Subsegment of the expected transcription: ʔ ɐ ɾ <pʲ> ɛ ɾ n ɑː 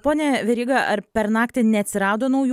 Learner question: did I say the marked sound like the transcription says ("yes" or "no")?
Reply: yes